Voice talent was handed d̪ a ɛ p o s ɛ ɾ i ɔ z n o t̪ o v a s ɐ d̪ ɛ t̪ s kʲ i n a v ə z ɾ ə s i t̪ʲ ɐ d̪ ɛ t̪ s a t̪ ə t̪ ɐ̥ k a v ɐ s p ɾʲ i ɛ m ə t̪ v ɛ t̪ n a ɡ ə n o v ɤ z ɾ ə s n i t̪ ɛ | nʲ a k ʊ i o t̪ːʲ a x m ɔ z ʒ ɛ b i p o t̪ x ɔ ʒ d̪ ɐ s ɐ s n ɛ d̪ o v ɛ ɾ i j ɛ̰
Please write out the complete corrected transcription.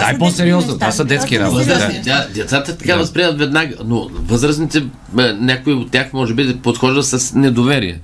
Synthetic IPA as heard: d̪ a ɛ p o s ɛ ɾ i ɔ z n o t̪ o v a s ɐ d̪ ɛ t̪ s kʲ i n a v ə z ɾ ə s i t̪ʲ a d̪ ɛ t̪ s a t̪ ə t̪ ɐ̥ k a v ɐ s p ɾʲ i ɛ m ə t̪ v ɛ d̪ n a ɡ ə n o v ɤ z ɾ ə s n i t̪ ɛ | nʲ a k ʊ i o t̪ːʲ a x m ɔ ʒ ɛ b i p o t̪ x ɔ ʒ d̪ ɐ s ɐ s n ɛ d̪ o v ɛ ɾ i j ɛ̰